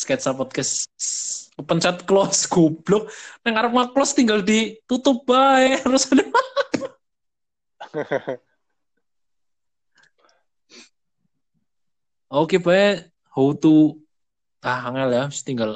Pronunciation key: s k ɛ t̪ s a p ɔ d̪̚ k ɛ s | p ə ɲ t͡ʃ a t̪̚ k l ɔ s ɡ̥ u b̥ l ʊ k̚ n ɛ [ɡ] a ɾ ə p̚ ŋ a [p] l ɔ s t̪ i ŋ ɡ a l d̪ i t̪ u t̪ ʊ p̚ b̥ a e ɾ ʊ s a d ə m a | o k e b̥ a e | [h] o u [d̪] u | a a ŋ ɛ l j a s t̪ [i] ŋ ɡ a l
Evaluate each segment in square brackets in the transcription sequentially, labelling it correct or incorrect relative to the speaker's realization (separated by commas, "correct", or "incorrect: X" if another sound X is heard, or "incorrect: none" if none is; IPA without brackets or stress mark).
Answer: incorrect: ŋ, incorrect: k, correct, incorrect: t̪, correct